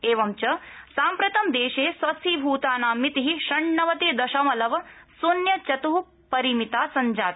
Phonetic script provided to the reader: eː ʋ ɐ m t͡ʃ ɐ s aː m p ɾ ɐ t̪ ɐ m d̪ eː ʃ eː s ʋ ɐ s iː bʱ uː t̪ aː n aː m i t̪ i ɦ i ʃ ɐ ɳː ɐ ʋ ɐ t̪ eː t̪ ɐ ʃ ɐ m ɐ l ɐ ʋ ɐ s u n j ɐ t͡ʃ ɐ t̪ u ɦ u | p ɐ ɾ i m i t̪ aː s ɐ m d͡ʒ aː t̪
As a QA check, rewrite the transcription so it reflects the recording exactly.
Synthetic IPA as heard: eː ʋ ɐ m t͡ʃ ɐ s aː m p ɾ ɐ t̪ ɐ m d̪ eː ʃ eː s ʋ ɐ s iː bʱ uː t̪ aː n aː m i t̪ i ɦ i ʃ ɐ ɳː ɐ ʋ ɐ t̪ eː d̪ ɐ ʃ ɐ m ɐ l ɐ ʋ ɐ s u n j ɐ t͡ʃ ɐ t̪ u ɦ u | p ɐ ɾ i m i t̪ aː s ɐ ɲ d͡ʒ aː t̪